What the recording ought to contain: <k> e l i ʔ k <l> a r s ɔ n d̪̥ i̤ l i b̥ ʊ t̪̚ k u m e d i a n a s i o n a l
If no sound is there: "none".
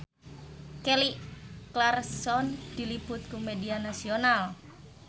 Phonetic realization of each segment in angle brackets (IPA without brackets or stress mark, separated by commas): k, l